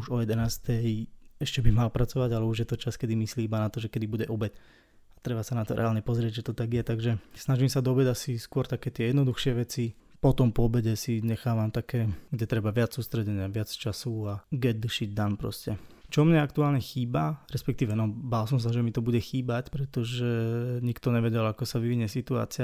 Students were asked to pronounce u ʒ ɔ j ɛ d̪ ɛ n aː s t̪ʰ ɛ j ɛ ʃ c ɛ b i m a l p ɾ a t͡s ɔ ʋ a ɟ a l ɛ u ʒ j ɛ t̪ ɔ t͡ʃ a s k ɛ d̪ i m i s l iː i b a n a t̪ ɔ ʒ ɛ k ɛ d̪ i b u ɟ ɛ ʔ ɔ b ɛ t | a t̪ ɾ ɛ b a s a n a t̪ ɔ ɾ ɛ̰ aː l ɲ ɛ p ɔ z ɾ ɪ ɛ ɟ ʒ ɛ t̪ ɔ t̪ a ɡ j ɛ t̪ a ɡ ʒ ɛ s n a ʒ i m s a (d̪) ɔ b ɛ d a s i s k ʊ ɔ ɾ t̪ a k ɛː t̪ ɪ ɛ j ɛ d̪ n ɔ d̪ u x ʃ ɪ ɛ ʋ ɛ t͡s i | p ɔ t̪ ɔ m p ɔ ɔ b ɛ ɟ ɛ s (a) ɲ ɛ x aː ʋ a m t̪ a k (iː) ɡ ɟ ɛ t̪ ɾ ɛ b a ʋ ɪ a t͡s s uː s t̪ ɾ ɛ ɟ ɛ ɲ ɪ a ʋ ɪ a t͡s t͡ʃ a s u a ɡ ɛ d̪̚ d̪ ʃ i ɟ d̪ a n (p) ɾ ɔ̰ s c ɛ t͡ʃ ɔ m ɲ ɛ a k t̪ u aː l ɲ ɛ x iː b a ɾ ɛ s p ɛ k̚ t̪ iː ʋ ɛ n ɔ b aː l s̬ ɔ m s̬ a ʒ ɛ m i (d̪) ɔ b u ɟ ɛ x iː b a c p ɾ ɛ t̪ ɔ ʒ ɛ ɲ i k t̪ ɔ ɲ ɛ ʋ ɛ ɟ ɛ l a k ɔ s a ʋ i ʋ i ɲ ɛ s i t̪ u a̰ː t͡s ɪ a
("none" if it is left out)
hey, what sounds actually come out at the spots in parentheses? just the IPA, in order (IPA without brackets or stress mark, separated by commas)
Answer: d̪, i, ɛː, p, t̪